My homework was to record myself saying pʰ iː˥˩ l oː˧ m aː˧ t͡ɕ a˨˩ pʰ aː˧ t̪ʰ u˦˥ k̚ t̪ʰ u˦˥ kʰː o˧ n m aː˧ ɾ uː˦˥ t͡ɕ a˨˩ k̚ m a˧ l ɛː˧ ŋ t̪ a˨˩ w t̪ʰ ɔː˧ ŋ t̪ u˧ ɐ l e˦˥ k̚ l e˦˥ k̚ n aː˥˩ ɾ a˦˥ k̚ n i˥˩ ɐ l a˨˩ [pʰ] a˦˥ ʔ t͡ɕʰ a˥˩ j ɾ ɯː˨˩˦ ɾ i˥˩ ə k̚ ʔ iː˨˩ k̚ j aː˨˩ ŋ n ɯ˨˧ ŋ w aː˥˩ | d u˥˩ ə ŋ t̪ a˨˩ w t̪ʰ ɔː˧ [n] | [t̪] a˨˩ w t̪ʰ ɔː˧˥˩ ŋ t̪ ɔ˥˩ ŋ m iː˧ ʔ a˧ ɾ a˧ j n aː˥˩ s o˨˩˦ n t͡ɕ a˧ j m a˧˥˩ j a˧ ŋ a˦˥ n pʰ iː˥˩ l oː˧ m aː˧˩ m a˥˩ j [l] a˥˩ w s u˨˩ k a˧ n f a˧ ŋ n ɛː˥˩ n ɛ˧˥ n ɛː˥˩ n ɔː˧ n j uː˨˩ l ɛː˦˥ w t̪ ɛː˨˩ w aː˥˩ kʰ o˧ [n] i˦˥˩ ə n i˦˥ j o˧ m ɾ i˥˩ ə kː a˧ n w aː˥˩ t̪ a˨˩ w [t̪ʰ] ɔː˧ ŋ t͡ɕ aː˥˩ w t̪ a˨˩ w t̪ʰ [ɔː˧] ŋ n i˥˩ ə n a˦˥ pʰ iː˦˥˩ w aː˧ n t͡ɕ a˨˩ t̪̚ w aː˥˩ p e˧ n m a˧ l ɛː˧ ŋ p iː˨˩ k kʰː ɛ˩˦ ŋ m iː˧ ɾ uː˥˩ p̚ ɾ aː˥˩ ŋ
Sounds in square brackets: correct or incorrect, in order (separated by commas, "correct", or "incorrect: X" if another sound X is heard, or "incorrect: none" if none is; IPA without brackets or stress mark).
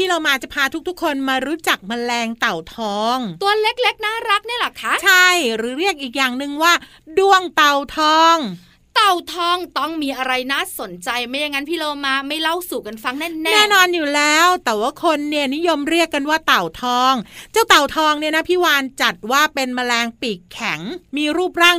incorrect: kʰ, incorrect: ŋ, correct, correct, incorrect: nː, correct, correct